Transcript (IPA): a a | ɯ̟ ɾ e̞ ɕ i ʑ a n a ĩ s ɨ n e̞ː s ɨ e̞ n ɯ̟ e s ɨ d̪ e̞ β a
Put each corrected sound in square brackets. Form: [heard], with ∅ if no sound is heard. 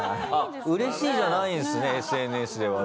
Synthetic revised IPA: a a | ɯ̟ ɾ e̞ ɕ [iː] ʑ a n a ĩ s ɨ n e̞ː s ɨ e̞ n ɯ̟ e s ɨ d̪ e̞ β a